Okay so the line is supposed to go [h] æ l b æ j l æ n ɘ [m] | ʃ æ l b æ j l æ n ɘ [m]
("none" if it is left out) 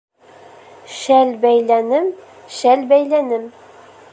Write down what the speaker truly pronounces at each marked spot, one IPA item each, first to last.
ʃ, m, m

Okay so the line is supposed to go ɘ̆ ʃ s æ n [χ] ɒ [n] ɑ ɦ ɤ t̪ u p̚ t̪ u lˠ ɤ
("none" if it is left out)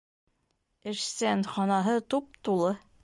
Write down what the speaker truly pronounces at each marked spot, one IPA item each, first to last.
χ, n

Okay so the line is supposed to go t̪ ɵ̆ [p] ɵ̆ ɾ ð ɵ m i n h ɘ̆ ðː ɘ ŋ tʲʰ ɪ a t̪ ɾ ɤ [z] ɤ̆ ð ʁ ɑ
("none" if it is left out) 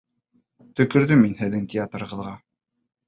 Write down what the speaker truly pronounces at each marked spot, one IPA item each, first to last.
k, ʁ

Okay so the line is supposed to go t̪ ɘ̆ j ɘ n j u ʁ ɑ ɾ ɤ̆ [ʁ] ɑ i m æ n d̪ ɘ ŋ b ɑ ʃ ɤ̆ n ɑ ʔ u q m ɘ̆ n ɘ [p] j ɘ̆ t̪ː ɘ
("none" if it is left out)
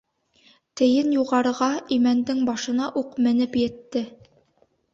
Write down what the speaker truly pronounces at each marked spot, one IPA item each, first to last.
ʁ, p

